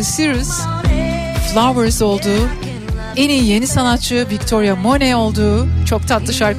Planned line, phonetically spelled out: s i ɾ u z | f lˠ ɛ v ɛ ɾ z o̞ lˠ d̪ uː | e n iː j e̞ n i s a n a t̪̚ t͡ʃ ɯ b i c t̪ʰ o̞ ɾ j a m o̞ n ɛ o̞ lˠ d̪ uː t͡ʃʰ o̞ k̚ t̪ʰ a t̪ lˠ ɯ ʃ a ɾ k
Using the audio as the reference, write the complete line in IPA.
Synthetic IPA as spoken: s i ɾ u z | f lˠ a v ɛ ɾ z o̞ lˠ d̪ uː | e n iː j e̞ n i s a n a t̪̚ t͡ʃ ɯ v i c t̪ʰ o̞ ɾ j a m o̞ n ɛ o̞ lˠ d̪ uː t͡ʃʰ o̞ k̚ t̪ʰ a t̪ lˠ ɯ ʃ a ɾ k